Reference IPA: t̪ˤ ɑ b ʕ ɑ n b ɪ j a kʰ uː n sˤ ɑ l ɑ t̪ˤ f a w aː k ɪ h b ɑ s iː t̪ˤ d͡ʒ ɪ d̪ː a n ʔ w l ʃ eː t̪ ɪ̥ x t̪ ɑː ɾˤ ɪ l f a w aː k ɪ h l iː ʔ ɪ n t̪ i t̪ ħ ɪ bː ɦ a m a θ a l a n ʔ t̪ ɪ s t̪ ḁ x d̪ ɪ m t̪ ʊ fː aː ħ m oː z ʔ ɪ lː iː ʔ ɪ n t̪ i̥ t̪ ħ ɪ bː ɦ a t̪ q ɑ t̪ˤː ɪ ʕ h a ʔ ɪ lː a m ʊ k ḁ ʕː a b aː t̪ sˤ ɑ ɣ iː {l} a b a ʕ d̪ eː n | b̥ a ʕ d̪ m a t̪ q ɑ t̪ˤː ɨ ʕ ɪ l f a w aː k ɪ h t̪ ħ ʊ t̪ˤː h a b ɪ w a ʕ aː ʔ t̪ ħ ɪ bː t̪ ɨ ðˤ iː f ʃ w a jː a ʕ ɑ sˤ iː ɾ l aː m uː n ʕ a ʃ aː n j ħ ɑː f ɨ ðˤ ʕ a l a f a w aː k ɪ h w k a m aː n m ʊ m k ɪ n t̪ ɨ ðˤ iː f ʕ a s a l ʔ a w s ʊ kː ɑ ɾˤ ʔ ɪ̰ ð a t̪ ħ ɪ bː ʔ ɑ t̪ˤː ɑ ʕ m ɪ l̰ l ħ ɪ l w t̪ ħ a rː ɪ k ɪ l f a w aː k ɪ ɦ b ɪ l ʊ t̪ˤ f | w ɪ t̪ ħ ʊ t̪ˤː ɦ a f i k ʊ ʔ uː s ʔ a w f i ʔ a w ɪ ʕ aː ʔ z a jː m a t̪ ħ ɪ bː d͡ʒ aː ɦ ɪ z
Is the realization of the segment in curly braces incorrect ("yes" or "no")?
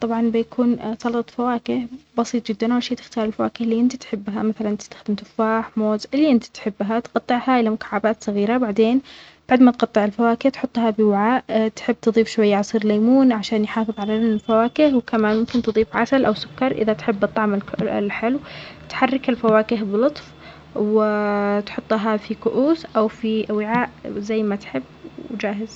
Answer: yes